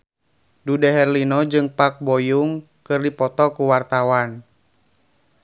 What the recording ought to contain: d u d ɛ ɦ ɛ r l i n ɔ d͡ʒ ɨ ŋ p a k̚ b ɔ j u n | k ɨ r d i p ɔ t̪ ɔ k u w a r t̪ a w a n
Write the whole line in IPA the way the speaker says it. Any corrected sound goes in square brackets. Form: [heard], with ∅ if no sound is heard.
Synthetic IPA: d u d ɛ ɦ ɛ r l i n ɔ d͡ʒ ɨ ŋ p a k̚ b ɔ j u [ŋ] | k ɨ r d i p ɔ t̪ ɔ k u w a r t̪ a w a n